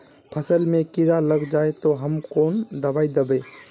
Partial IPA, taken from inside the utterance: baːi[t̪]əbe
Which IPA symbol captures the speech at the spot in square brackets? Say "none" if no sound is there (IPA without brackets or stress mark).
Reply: d̪